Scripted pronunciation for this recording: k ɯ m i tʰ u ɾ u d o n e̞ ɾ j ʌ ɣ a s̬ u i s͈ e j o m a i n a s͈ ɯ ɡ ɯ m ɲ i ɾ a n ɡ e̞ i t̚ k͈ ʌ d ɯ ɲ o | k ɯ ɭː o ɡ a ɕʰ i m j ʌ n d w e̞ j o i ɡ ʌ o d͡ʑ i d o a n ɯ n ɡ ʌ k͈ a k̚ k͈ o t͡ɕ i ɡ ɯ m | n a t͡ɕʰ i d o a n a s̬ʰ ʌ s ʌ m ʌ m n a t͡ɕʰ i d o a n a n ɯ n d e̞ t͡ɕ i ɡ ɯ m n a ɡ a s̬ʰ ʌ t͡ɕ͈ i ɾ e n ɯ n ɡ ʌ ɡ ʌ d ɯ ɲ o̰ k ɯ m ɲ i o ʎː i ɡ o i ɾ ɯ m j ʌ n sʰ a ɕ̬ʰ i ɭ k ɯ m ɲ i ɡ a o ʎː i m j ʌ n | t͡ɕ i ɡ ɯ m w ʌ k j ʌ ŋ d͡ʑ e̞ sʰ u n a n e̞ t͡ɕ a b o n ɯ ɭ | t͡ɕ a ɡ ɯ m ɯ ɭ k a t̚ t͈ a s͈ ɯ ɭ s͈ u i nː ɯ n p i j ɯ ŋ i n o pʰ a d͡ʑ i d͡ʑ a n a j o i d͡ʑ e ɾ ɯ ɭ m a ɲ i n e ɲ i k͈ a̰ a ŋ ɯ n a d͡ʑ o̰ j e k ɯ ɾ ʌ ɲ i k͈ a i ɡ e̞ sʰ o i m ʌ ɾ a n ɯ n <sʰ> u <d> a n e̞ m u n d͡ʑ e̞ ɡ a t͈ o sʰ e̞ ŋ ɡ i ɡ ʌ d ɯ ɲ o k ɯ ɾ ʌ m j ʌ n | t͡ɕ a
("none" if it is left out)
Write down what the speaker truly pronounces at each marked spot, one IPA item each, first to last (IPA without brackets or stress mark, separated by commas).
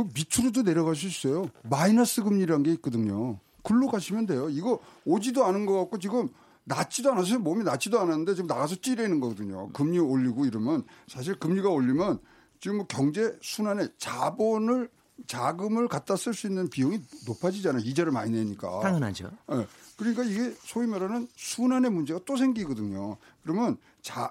sʰ, n